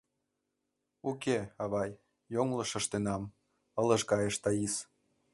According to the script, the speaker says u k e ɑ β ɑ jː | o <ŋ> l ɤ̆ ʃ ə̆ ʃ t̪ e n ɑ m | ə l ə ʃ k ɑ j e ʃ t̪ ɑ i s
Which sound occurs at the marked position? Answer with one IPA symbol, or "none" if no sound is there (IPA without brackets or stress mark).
ŋ